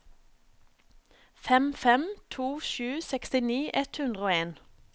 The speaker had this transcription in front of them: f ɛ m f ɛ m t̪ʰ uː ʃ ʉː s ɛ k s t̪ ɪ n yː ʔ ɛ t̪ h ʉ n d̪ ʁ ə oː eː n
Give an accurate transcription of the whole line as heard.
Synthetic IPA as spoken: f ɛ m f ɛ m t̪ʰ uː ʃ ʉː s ɛ k s t̪ ɪ n iː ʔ ɛ t̪ h ʉ n d̪ ʁ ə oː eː n